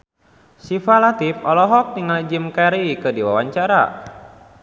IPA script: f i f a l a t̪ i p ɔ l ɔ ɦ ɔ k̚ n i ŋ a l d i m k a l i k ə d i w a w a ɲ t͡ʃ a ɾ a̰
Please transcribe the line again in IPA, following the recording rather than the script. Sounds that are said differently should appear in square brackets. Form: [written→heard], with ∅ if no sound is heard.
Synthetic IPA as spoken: [f→s] i f a l a t̪ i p ɔ l ɔ ɦ ɔ k̚ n i ŋ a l [d→d͡ʒ] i m k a [l→ɾ] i k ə d i w a w a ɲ t͡ʃ a ɾ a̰